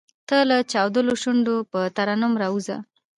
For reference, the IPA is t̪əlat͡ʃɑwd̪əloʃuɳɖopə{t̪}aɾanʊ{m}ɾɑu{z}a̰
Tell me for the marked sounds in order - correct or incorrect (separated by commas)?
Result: correct, correct, correct